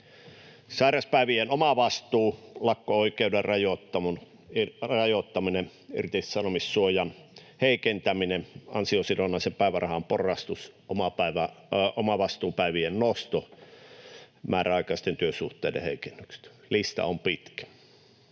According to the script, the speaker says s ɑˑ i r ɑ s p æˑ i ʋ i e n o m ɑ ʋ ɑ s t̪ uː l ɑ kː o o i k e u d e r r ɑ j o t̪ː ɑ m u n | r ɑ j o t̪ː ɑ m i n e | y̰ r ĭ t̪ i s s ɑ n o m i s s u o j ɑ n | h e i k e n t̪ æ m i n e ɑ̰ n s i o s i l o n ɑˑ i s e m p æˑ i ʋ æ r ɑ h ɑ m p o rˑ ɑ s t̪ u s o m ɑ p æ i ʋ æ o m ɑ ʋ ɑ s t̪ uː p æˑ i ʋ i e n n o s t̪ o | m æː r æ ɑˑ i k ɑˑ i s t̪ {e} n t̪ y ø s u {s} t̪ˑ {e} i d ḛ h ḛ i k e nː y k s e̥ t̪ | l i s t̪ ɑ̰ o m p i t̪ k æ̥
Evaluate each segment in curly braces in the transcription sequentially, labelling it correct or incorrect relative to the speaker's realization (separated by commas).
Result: correct, incorrect, correct